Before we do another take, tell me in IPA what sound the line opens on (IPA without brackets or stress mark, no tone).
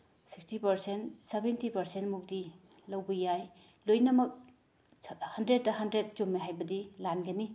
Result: s